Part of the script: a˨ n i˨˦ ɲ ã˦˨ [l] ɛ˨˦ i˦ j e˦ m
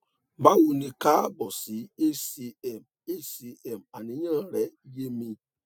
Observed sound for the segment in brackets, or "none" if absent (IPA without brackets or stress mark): ɾ